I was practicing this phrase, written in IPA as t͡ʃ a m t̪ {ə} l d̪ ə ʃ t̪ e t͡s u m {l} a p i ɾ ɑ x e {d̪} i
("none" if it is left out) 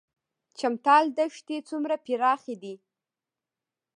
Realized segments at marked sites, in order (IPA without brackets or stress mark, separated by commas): ɑ, ɾ, d̪